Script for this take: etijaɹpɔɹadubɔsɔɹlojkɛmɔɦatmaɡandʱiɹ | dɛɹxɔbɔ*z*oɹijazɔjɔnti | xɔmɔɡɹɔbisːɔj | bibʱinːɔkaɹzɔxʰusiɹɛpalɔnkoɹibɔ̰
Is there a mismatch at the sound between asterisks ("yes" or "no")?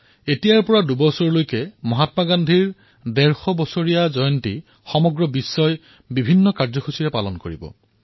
yes